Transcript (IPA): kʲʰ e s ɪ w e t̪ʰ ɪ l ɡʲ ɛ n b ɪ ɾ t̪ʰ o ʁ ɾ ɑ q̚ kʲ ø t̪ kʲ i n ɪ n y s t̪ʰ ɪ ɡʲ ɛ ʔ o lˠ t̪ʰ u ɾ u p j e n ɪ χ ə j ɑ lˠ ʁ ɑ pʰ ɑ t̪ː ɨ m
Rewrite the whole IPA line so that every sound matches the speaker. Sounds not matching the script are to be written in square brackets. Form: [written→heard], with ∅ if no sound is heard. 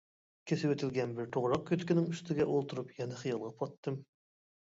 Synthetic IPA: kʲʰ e s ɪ w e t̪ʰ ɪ l ɡʲ ɛ n b ɪ ɾ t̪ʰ o ʁ ɾ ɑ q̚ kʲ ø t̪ kʲ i n ɪ [n→ŋ] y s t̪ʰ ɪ ɡʲ ɛ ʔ o lˠ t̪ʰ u ɾ u p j [e→ɛ] n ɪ χ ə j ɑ lˠ ʁ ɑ pʰ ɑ t̪ː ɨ m